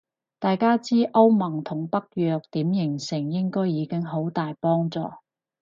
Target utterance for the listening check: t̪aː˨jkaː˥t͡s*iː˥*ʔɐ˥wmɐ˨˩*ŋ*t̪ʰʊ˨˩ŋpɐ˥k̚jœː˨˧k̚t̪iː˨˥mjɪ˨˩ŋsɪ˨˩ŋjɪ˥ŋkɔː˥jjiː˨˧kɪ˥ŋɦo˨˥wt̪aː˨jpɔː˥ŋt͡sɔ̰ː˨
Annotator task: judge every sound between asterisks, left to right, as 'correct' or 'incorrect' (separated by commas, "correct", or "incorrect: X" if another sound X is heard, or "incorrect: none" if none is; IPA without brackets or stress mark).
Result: correct, correct